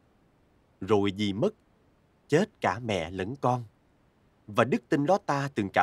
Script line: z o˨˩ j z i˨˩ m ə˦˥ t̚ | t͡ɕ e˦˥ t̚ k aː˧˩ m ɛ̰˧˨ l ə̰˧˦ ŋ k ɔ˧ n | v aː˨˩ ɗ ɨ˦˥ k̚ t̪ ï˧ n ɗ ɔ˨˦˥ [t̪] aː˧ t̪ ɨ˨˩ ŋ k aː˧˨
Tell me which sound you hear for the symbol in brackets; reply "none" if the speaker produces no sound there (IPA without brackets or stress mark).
t̪